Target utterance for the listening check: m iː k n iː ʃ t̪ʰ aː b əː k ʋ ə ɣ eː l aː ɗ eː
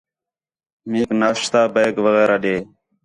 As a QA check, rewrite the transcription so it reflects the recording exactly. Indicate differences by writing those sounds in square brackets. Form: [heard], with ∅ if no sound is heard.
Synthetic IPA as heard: m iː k n [aː] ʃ [t̪] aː b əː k ʋ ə ɣ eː [ɾ] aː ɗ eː